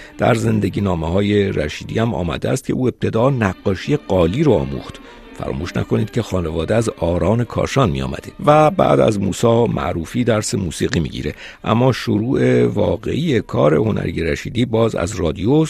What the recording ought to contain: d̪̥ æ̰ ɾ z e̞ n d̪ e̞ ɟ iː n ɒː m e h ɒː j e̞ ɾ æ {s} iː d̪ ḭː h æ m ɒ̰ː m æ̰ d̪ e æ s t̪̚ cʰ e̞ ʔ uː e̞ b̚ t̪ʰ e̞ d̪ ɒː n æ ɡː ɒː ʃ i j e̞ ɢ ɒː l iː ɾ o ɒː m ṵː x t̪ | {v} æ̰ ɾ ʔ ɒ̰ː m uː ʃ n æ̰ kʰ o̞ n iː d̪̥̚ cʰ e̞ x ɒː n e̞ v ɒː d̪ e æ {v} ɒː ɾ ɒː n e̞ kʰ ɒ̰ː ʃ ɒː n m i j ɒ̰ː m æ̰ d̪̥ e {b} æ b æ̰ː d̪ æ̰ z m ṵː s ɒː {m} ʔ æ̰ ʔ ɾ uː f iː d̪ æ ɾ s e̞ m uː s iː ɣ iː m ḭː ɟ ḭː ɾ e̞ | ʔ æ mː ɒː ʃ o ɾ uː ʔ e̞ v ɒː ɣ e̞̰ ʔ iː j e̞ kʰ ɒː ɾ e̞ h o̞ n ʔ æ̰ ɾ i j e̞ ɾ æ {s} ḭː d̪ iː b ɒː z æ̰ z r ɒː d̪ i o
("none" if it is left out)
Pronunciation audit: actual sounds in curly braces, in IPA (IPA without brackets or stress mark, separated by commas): ʃ, f, z, v, m, ʃ